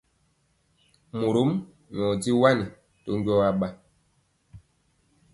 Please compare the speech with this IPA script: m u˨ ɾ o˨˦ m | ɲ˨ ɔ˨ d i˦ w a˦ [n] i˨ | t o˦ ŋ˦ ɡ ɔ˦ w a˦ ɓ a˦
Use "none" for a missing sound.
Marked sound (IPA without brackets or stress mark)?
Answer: n